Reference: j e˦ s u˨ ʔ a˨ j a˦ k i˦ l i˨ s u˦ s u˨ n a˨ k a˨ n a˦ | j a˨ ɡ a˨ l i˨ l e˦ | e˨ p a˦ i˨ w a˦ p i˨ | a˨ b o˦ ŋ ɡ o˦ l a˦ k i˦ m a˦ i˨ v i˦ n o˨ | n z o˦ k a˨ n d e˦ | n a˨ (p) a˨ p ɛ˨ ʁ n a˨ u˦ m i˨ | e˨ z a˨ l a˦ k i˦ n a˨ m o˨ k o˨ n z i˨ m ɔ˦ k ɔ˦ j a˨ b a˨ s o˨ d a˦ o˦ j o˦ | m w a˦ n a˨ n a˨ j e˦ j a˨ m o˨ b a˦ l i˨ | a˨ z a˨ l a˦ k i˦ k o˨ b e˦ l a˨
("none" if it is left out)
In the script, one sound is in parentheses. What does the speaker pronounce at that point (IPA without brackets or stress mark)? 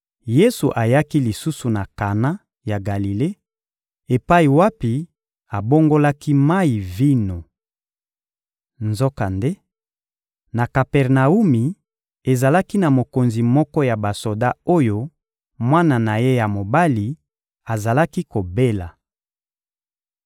k